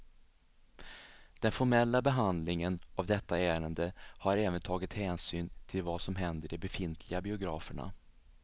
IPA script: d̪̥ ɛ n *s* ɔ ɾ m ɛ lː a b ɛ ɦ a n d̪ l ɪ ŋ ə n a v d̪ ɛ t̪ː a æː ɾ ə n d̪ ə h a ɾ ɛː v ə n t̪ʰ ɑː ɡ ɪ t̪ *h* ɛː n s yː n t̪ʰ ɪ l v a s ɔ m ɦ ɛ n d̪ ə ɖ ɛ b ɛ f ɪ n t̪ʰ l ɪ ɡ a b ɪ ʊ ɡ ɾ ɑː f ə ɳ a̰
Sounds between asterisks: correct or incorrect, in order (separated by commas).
incorrect, correct